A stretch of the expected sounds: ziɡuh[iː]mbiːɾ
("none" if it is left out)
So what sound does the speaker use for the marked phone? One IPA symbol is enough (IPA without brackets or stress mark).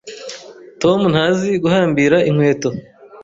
aː